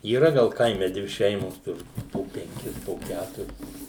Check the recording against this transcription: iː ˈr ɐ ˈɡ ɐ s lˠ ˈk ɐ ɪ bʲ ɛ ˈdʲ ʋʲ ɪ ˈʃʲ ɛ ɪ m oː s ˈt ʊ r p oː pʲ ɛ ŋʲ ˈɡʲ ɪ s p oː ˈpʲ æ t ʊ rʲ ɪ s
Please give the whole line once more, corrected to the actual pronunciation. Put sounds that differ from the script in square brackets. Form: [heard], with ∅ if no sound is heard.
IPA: iː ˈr ɐ ˈɡ ɐ [∅] lˠ ˈk ɐ ɪ [mʲ] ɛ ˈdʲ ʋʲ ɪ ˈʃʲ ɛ ɪ m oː s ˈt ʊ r p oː pʲ ɛ ŋʲ [ˈkʲ] ɪ s p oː [ˈkʲ] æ t ʊ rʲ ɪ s